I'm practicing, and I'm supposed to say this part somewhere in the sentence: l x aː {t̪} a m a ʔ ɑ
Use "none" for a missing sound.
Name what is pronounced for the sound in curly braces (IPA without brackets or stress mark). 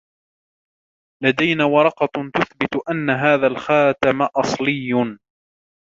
t̪